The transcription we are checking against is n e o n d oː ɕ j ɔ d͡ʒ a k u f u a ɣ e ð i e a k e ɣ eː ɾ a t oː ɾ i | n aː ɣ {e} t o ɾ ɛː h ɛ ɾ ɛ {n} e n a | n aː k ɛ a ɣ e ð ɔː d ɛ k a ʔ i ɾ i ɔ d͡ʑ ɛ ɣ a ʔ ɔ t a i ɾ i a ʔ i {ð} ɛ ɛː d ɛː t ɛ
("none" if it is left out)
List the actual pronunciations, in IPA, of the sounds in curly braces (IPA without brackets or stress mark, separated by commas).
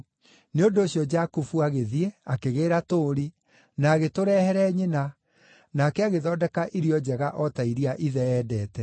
e, ɲ, ð